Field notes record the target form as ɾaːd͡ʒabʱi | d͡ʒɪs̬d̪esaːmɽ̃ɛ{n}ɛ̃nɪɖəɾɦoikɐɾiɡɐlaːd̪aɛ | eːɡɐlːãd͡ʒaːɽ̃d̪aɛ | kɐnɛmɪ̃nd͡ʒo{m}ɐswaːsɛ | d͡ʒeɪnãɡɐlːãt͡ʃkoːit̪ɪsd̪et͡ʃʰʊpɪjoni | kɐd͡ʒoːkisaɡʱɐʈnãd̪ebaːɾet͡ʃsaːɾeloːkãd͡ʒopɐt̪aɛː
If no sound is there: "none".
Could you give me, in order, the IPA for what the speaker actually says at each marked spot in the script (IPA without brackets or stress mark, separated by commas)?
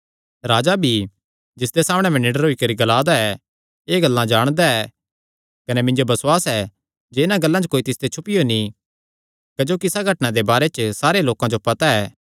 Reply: m, b